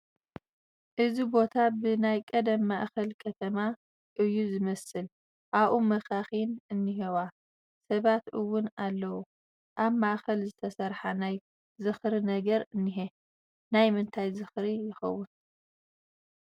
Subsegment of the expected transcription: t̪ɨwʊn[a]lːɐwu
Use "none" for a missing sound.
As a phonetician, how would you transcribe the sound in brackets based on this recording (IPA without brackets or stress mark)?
a